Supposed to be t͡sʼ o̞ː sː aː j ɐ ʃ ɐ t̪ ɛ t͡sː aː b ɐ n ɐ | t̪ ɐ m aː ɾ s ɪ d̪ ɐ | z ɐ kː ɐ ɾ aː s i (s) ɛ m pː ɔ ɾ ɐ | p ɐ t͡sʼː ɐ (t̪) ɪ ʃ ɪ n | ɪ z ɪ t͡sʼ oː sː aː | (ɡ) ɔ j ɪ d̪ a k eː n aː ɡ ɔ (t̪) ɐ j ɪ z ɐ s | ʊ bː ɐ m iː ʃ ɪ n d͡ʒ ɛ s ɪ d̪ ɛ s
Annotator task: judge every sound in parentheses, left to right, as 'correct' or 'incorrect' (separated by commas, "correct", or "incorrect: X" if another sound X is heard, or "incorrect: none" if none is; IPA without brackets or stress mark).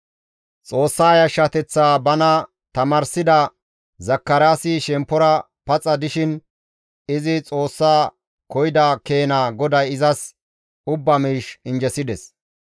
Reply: incorrect: ʃ, incorrect: d̪, incorrect: k, incorrect: d̪